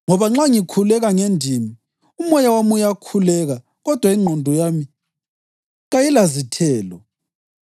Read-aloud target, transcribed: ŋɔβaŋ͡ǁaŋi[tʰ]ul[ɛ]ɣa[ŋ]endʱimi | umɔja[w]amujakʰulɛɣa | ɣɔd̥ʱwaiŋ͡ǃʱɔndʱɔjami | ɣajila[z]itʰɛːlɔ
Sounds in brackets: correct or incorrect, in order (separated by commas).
incorrect, correct, correct, correct, correct